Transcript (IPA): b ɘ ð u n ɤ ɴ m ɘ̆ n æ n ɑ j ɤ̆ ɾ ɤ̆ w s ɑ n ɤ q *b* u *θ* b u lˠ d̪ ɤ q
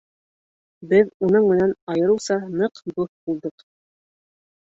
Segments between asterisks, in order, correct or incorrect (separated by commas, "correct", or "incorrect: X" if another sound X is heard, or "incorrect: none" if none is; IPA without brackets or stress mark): correct, correct